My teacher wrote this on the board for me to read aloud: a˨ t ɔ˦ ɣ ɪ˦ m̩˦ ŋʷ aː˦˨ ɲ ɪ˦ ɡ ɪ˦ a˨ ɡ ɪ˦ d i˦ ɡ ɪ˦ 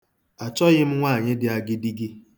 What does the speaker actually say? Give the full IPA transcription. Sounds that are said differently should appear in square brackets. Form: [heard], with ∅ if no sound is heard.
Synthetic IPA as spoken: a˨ [t͡ʃ] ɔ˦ ɣ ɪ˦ m̩˦ ŋʷ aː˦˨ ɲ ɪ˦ [d] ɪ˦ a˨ ɡ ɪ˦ d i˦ ɡ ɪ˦